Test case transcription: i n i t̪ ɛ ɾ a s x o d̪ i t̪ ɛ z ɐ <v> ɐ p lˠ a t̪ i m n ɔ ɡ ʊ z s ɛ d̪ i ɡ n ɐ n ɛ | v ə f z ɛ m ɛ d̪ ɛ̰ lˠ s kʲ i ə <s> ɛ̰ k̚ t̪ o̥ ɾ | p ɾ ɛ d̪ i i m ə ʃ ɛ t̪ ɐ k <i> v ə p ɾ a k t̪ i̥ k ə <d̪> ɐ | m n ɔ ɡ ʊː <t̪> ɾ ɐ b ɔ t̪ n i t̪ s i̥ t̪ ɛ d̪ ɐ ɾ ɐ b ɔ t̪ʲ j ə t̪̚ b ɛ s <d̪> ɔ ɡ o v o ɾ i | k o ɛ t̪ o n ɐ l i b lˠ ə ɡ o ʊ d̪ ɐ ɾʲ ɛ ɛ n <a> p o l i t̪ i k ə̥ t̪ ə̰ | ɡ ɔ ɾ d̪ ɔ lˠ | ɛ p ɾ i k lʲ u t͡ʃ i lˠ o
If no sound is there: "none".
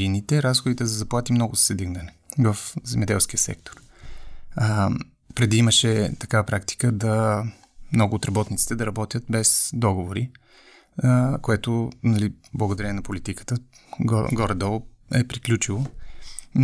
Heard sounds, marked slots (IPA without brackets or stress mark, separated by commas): z, s, a, d̪, t̪, d̪, ɐ